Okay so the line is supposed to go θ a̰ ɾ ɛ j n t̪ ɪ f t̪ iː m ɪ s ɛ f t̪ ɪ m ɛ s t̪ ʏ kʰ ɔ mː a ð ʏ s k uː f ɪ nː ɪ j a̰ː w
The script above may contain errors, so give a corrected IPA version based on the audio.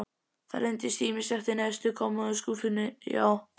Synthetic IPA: θ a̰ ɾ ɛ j n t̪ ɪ s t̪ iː m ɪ s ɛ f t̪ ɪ n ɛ s t̪ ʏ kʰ ɔ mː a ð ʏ s k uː f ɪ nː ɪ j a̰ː w